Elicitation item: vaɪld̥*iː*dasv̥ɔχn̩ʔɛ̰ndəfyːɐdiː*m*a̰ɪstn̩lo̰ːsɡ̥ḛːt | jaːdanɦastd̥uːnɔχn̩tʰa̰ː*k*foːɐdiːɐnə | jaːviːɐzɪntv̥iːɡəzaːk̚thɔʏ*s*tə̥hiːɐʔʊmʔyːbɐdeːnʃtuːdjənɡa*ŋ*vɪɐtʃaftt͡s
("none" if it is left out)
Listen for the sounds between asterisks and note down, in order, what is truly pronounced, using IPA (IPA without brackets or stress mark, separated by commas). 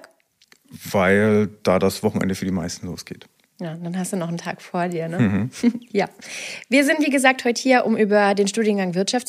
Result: aː, m, k, none, ŋ